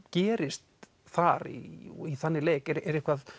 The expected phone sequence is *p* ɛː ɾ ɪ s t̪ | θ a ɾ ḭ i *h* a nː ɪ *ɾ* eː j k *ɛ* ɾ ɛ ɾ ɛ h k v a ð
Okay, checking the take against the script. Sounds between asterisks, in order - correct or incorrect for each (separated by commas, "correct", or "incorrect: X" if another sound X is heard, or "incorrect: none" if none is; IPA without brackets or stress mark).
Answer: incorrect: c, incorrect: θ, incorrect: l, correct